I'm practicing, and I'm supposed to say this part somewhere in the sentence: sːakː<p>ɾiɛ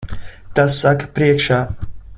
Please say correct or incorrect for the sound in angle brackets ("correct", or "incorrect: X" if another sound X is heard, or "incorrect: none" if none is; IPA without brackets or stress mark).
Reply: correct